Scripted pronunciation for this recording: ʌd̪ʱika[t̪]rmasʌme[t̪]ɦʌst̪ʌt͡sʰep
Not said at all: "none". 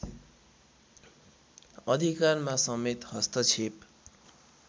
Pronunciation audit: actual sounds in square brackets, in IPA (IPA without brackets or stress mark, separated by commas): none, t̪